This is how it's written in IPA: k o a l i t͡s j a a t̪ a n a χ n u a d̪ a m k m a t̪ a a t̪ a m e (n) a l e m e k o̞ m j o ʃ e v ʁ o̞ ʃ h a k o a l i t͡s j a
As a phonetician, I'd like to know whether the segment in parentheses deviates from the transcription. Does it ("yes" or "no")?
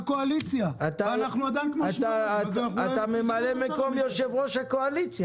yes